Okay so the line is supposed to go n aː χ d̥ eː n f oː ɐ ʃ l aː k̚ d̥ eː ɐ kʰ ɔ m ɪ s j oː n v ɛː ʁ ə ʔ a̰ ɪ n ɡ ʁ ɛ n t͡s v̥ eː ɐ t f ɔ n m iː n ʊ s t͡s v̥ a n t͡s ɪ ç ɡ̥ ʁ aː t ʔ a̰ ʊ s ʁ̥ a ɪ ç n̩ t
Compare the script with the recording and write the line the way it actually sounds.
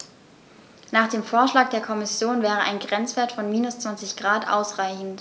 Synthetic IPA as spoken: n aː χ d̥ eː m f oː ɐ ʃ l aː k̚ d̥ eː ɐ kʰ ɔ m ɪ s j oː n v ɛː ʁ ə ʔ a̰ ɪ n ɡ ʁ ɛ n t͡s v̥ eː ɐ t f ɔ n m iː n ʊ s t͡s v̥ a n t͡s ɪ ç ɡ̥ ʁ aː t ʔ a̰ ʊ s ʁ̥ a ɪ ç n̩ t